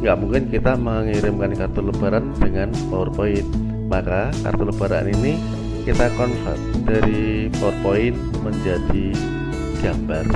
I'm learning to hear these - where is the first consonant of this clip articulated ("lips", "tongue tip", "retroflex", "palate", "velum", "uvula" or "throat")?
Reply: velum